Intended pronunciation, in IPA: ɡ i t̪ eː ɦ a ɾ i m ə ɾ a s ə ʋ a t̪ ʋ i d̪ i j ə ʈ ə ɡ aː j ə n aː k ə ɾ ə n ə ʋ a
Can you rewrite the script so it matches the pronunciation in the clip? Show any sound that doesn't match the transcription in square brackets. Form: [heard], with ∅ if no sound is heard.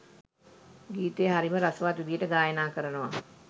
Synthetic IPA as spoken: ɡ [iː] t̪ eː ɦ a ɾ i m ə ɾ a s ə ʋ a t̪ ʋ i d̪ i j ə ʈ ə ɡ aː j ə n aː k ə ɾ ə n ə ʋ a

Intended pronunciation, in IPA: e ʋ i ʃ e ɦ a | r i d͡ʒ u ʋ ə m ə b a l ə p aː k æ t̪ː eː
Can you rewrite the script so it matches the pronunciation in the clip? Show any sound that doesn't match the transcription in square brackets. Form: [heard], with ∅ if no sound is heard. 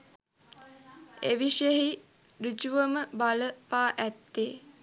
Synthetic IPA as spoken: e ʋ i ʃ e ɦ [i] | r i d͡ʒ u ʋ ə m ə b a l ə p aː [ʔ] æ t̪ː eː

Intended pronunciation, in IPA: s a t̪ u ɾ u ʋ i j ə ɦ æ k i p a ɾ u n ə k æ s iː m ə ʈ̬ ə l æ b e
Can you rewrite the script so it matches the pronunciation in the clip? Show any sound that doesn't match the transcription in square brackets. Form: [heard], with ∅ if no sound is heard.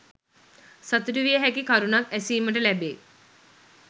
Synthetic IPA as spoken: s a t̪ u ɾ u ʋ i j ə ɦ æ k i [k] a ɾ u n [a] k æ s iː m ə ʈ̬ ə l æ b e

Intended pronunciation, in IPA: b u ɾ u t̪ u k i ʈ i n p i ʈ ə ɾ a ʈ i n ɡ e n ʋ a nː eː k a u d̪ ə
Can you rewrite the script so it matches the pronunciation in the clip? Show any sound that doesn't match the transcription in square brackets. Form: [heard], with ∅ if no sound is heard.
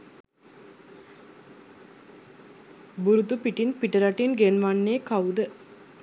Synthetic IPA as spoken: b u ɾ u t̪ u [p] i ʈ i n p i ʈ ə ɾ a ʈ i n ɡ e n ʋ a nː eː k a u d̪ ə

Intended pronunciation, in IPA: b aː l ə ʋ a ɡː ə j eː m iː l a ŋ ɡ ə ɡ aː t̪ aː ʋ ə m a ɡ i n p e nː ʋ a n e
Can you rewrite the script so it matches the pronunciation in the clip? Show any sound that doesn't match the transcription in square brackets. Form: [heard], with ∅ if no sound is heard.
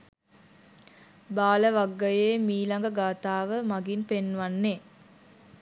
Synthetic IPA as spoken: b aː l ə ʋ a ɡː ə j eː m iː l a ŋ ɡ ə ɡ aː t̪ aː ʋ ə m a ɡ i n p e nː ʋ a [nː] e

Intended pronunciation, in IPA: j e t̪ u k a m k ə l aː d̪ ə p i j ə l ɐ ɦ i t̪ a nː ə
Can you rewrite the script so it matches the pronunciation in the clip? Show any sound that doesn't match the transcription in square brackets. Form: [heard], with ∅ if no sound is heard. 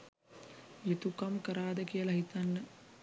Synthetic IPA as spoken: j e t̪ u k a m k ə [ɾ] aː d̪ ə [k] i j ə l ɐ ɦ i t̪ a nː ə

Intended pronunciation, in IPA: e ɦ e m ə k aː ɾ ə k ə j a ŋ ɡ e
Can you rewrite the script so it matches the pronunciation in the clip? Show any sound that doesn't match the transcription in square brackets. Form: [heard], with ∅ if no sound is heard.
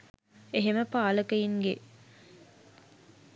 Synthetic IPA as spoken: e ɦ e m ə [p] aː [l] ə k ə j [i] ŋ ɡ e

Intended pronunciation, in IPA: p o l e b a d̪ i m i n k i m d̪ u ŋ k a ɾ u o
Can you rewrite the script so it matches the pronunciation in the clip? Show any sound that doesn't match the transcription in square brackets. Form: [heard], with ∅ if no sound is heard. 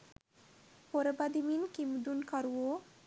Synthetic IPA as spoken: p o [ɾ] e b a d̪ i m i n k i m d̪ u [n] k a ɾ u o

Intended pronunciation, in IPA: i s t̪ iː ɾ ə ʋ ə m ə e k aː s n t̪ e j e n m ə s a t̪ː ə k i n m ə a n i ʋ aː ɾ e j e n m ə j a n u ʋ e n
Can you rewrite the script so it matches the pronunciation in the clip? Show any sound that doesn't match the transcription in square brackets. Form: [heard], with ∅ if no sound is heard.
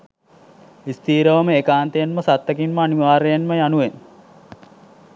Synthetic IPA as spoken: i s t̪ iː ɾ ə ʋ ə m ə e k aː [∅] n t̪ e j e n m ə s a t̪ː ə k i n m ə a n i ʋ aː ɾ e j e n m ə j a n u ʋ e n

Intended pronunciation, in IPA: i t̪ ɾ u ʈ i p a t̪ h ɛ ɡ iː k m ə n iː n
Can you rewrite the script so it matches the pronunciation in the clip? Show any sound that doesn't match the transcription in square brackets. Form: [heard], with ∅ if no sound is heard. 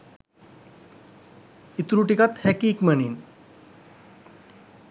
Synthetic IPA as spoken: i t̪ ɾ u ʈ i [k] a t̪ h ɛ [k] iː k m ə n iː n

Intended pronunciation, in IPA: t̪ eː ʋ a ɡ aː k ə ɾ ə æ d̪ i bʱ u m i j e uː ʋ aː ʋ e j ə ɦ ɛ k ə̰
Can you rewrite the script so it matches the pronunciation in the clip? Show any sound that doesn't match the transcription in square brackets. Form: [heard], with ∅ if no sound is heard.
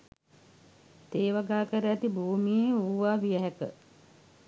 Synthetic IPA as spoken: t̪ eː ʋ a ɡ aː k ə ɾ ə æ [t̪] i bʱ [uː] m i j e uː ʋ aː ʋ [i] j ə ɦ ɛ k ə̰

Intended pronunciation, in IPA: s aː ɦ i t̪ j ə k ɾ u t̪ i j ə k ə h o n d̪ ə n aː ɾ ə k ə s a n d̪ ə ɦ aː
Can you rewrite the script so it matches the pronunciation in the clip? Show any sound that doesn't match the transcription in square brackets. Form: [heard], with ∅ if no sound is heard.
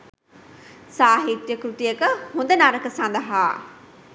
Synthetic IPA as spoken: s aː ɦ i t̪ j ə k ɾ u t̪ i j ə k ə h [u] n d̪ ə n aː ɾ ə k ə s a n d̪ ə ɦ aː

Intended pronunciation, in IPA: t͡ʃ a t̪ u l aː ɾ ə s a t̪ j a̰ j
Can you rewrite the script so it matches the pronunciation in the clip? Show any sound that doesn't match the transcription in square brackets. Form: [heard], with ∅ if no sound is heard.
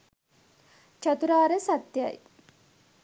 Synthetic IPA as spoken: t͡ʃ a t̪ u [ɾ] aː ɾ ə s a t̪ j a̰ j

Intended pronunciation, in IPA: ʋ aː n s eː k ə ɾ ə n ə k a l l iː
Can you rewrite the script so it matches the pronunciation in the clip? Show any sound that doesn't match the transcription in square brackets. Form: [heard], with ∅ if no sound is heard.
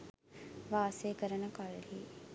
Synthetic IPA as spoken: ʋ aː [∅] s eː k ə ɾ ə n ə k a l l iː

